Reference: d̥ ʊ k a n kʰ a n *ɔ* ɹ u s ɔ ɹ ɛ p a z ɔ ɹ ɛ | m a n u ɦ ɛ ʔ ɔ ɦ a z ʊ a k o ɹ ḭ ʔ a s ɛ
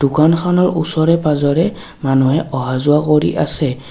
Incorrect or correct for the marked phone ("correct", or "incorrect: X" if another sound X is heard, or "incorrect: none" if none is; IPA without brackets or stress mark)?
correct